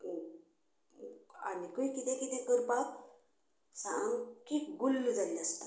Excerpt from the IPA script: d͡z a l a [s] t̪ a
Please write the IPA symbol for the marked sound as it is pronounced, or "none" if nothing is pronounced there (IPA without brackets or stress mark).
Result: s